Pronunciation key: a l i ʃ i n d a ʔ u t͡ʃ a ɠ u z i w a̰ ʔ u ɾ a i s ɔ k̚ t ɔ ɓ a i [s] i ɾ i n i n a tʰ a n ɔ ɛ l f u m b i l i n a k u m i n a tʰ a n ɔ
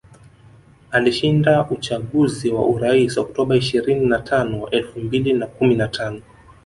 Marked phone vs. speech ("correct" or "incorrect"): incorrect